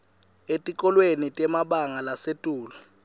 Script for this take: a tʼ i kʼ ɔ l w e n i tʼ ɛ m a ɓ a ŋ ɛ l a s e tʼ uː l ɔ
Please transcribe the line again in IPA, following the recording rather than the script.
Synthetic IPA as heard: e tʼ i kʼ ɔ l w e n i tʼ ɛ m a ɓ a ŋ a l a s e tʼ uː l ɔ